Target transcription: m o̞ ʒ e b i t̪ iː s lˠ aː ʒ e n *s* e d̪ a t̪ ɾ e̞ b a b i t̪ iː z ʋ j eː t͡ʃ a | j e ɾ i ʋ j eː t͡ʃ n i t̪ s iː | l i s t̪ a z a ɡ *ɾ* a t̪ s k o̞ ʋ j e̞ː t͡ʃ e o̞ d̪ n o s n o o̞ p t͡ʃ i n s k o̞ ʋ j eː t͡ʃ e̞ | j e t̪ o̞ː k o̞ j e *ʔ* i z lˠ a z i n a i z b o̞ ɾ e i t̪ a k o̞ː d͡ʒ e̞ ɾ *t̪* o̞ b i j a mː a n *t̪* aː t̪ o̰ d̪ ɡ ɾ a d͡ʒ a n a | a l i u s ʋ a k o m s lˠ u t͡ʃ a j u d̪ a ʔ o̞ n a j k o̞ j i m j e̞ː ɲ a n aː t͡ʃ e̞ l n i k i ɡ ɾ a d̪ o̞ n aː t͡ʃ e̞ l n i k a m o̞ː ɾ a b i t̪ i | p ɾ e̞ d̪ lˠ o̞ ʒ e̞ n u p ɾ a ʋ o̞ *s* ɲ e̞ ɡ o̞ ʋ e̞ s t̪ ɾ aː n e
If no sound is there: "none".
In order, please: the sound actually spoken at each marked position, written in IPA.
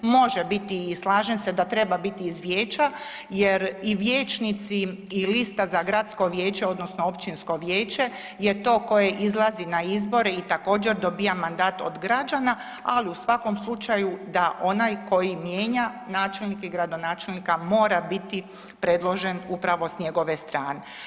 s, ɾ, ʔ, d̪, d̪, s

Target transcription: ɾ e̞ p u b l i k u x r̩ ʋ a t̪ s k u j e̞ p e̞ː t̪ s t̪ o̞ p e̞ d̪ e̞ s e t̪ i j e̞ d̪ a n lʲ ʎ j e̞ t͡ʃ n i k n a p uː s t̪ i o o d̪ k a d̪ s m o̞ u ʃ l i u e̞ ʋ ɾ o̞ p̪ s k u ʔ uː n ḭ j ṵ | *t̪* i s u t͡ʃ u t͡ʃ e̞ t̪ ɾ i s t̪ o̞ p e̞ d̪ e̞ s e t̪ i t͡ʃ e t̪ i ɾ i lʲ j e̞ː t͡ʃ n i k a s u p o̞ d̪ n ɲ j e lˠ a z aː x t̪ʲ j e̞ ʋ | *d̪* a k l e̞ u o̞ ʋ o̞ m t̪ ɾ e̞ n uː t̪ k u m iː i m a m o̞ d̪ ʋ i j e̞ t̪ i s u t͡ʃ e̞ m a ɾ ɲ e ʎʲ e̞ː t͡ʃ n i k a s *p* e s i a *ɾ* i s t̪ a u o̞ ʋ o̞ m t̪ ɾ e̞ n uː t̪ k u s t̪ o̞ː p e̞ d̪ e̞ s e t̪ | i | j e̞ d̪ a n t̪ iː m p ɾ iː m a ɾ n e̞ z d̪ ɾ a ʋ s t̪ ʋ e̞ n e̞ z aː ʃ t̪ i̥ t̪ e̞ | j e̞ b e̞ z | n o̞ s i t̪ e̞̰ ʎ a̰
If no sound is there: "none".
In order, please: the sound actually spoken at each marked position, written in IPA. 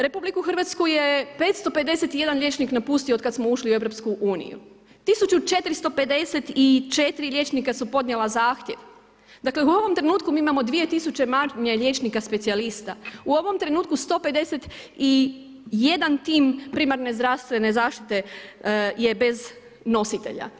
t̪, d̪, p, l

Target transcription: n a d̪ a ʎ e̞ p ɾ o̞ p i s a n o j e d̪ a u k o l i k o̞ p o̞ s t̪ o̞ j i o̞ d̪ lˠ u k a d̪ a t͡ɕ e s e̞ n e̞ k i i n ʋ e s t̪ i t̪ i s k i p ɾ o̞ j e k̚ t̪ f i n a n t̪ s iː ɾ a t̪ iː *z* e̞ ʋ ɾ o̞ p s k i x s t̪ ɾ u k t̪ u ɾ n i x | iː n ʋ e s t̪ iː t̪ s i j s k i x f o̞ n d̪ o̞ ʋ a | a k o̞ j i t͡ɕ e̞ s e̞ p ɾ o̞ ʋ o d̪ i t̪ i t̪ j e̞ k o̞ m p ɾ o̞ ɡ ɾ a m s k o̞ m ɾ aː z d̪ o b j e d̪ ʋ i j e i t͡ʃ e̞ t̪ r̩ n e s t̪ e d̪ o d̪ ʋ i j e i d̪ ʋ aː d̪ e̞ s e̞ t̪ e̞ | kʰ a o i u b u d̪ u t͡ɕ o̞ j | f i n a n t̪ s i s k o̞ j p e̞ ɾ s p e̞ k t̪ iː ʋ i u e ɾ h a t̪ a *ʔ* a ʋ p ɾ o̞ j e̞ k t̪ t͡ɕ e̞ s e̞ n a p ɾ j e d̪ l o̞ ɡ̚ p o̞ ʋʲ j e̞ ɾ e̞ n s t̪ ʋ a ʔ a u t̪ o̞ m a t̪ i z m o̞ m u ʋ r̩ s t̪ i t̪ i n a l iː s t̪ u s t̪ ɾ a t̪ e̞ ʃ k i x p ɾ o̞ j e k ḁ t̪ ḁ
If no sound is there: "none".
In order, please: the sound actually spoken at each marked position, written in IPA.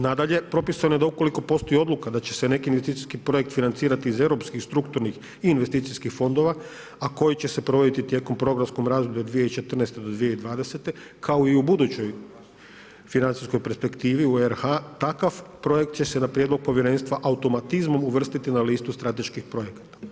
z, k

